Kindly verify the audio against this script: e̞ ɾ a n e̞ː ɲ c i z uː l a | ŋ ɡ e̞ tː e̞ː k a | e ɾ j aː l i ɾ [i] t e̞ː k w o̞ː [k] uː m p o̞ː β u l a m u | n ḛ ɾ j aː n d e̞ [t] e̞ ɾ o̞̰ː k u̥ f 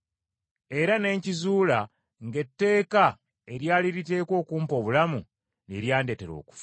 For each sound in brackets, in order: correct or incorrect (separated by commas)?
correct, correct, correct